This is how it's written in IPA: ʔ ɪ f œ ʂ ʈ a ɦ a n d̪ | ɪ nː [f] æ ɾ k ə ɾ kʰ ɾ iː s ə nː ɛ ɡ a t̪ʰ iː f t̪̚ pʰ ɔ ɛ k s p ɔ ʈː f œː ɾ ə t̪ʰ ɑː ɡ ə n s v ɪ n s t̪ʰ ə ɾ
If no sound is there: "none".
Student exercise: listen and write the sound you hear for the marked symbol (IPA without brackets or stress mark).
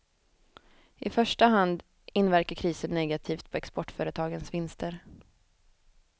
v